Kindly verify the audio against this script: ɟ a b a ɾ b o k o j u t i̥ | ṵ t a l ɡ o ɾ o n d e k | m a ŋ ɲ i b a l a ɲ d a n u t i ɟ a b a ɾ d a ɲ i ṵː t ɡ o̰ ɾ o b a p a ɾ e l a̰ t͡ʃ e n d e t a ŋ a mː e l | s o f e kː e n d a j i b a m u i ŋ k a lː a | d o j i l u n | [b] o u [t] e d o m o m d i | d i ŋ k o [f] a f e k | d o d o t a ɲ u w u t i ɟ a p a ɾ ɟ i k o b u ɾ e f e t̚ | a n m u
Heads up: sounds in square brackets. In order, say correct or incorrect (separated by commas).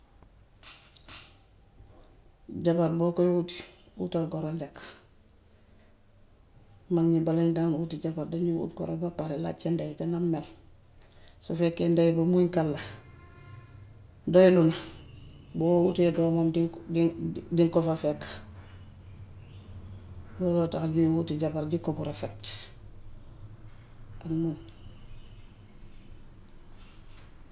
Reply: correct, correct, correct